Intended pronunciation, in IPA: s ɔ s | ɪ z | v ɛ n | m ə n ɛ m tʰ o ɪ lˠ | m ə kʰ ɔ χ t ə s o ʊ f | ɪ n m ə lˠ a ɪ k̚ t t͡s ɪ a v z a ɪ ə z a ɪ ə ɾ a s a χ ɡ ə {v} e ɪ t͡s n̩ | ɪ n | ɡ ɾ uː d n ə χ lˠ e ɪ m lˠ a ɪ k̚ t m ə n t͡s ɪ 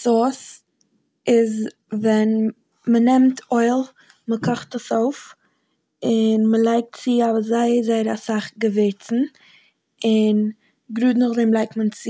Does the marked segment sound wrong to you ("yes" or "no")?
no